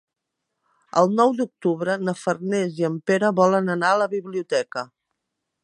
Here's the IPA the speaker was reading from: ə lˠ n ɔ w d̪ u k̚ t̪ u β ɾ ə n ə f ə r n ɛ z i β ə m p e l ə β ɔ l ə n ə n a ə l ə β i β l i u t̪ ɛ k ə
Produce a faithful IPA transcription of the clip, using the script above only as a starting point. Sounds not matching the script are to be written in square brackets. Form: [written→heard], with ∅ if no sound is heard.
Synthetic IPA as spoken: ə lˠ n ɔ w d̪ u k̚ t̪ u β ɾ ə n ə f ə r n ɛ z i [β→∅] ə m p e [l→ɾ] ə β ɔ l ə n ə n a ə l ə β i β l i u t̪ ɛ k ə